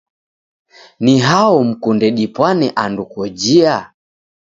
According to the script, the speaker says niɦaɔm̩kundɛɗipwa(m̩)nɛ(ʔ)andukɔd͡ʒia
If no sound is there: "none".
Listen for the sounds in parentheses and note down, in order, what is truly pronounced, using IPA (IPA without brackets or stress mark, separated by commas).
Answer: none, ʔ